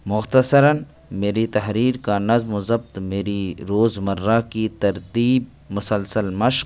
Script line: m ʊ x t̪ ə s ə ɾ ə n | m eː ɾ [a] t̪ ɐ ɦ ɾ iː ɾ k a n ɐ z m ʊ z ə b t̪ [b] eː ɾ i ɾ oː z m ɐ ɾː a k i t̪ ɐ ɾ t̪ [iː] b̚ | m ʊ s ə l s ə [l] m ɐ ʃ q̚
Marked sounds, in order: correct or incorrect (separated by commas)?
incorrect, incorrect, correct, correct